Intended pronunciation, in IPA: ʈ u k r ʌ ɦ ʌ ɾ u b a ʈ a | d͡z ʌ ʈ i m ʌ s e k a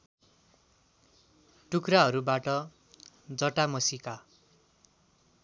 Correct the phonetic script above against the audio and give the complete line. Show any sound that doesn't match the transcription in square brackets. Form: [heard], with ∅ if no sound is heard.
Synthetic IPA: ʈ u k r [a] ɦ ʌ ɾ u b a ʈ [ʌ] | d͡z ʌ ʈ [a] m ʌ s [i] k a